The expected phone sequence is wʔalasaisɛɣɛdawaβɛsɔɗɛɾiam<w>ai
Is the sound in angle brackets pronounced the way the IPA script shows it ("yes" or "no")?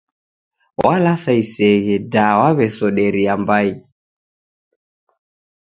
no